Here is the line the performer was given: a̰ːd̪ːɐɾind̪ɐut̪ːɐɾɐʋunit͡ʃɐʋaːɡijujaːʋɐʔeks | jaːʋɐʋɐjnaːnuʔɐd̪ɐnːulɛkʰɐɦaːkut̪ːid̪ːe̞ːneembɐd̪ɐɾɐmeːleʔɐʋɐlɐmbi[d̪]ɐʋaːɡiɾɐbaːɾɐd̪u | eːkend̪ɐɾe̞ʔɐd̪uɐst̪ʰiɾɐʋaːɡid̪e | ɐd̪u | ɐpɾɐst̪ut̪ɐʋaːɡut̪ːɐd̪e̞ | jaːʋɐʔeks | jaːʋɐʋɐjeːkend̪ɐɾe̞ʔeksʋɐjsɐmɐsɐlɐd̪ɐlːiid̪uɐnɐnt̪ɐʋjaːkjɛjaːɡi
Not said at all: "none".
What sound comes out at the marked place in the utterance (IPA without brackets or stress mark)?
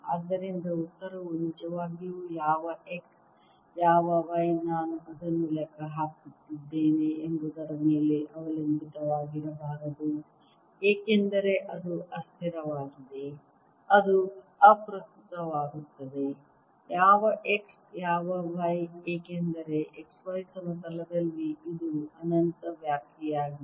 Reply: t̪